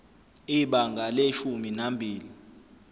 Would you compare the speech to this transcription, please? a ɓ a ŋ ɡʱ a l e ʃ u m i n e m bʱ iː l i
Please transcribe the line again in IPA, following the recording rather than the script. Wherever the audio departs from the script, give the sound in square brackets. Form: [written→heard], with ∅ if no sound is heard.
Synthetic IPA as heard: [a→i] ɓ a ŋ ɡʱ a l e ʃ u m i n [e→a] m bʱ iː l i

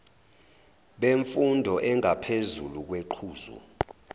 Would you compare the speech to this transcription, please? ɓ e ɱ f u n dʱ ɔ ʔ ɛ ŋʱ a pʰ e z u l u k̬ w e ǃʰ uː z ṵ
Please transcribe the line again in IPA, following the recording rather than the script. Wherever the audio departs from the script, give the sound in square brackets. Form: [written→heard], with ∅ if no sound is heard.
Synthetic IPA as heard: ɓ e ɱ f u n dʱ ɔ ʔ ɛ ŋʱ a pʰ e z u l u k̬ w e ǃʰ uː z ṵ

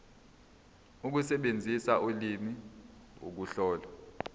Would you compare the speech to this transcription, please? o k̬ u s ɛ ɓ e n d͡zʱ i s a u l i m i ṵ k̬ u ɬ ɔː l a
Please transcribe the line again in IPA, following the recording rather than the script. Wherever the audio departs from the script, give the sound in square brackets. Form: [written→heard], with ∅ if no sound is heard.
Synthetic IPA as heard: [o→u] k̬ u s ɛ ɓ e n d͡zʱ i s a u l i m i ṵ k̬ u ɬ ɔː l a

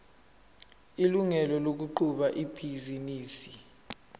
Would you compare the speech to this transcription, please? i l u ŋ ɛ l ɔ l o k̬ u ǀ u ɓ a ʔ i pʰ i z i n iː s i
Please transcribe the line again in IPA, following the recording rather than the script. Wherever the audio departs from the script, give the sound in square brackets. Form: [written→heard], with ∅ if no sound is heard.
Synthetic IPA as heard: i l u ŋ ɛ l ɔ l o k̬ u [ǀ→ǃ] u ɓ a ʔ i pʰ i z i n iː s i

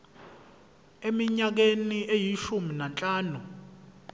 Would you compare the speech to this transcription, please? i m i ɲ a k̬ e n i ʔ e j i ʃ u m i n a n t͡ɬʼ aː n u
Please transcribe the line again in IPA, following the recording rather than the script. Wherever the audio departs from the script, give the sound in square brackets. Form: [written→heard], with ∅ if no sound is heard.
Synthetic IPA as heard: [i→e] m i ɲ a k̬ e n i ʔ e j i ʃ u m i n a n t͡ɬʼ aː n u

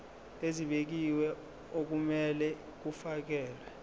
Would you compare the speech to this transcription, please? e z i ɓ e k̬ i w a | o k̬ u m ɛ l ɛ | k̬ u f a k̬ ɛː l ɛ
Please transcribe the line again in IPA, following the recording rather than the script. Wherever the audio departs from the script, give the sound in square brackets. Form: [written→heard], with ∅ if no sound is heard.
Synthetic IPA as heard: e z i ɓ e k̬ i w [a→ɛ] | o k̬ u m ɛ l ɛ | k̬ u f a k̬ ɛː l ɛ

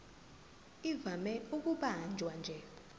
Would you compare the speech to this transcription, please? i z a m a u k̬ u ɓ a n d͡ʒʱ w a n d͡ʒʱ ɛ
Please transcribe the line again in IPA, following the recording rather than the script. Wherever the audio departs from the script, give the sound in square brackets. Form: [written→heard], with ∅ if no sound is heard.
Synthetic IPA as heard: i [z→v] a m [a→ɛ] u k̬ u ɓ a n d͡ʒʱ w a n d͡ʒʱ ɛ

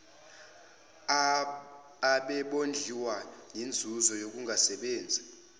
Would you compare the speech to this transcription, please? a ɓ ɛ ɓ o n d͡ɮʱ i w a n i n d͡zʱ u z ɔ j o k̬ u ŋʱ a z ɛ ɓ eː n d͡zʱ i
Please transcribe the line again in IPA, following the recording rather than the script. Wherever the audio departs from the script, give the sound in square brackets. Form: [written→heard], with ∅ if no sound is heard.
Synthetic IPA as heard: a ɓ ɛ ɓ o n d͡ɮʱ i w a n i n d͡zʱ u z ɔ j o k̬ u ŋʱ a [z→s] ɛ ɓ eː n d͡zʱ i

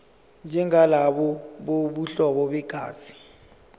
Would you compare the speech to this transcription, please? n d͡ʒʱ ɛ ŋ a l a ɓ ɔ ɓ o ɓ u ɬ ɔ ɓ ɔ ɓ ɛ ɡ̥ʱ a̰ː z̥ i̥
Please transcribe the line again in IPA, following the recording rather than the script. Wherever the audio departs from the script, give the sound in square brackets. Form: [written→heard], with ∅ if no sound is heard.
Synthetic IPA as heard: n d͡ʒʱ ɛ ŋ a l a ɓ ɔ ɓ o ɓ u ɬ ɔ ɓ ɔ ɓ ɛ ɡ̥ʱ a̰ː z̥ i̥

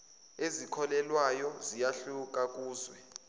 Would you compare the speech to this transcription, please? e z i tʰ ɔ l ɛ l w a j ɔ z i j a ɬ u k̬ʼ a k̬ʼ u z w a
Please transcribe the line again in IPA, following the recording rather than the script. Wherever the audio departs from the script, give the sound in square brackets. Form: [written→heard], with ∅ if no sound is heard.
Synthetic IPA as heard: e z i [tʰ→kʰ] ɔ l ɛ l w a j ɔ z i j a ɬ u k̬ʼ a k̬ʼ [u→uː] z w [a→ɛ]

